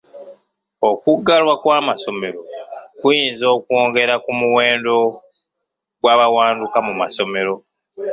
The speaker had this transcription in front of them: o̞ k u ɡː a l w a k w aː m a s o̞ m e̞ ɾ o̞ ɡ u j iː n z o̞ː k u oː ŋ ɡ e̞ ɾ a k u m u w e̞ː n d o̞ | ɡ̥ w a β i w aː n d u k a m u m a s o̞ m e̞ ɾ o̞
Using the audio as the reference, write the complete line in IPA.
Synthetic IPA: o̞ k u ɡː a l w a k w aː m a s o̞ m e̞ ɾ o̞ k u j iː n z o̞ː k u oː ŋ ɡ e̞ ɾ a k u m u w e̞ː n d o̞ | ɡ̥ w a β a w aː n d u k a m u m a s o̞ m e̞ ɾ o̞